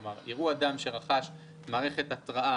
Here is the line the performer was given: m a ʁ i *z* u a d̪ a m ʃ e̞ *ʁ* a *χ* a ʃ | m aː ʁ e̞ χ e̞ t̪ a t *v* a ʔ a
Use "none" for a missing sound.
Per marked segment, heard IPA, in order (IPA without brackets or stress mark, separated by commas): ʁ, ʁ, χ, ʁ